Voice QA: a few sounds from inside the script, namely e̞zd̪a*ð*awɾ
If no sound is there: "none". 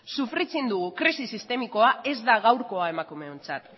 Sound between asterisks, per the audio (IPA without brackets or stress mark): ɣ